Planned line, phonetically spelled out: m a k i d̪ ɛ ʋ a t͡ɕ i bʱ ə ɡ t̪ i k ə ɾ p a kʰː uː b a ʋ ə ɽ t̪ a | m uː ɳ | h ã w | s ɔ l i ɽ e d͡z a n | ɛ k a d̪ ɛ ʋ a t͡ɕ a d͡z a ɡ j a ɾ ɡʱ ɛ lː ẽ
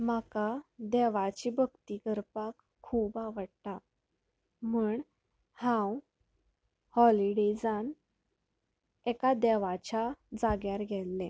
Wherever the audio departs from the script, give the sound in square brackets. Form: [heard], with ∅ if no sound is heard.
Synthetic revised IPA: m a k [a] d̪ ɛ ʋ a t͡ɕ i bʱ ə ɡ t̪ i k ə ɾ p a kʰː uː b a ʋ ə ɽ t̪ a | m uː ɳ | h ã w | [h] ɔ l i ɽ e d͡z a n | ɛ k a d̪ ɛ ʋ a t͡ɕ a d͡z a ɡ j a ɾ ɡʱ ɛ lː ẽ